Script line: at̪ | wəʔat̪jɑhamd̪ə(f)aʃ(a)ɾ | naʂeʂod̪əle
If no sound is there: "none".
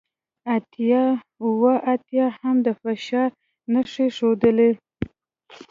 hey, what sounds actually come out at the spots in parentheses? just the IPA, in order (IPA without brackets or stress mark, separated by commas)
f, ɑ